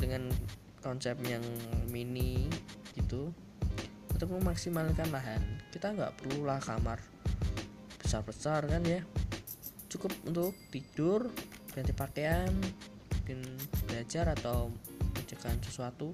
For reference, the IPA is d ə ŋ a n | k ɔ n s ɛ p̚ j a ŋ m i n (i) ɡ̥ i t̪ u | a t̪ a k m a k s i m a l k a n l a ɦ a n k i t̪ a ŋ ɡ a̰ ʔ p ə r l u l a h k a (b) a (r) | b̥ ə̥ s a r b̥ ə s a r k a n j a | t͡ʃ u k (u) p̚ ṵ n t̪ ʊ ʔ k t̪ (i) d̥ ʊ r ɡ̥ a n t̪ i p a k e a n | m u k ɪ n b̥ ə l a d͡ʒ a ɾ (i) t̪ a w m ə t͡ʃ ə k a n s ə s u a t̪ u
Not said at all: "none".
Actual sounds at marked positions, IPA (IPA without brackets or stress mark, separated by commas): i, m, r, ʊ, i, a